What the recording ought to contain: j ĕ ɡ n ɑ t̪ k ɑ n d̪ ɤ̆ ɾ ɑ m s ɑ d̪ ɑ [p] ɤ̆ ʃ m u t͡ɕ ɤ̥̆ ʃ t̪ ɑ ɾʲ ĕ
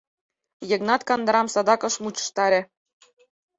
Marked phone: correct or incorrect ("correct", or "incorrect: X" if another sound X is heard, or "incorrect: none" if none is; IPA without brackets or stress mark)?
incorrect: k